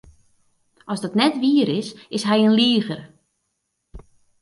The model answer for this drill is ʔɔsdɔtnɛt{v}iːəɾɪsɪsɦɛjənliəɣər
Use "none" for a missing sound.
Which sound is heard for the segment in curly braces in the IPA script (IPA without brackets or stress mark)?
ʋ